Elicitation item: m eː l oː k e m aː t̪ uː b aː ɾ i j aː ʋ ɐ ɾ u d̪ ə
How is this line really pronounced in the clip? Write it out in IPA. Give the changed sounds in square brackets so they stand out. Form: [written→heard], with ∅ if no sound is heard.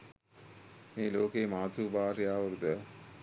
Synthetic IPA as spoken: m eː l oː k e m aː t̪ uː b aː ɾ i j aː ʋ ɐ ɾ u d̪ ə